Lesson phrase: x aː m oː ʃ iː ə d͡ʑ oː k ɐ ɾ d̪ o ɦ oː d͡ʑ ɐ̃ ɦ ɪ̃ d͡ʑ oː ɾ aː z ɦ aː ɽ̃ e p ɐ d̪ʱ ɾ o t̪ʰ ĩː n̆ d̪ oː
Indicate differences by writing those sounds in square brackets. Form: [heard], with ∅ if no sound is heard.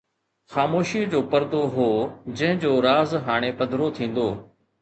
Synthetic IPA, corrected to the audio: x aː m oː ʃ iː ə d͡ʑ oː [p] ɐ ɾ d̪ o ɦ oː d͡ʑ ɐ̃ ɦ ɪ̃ d͡ʑ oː ɾ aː z ɦ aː ɽ̃ e p ɐ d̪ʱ ɾ o t̪ʰ ĩː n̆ d̪ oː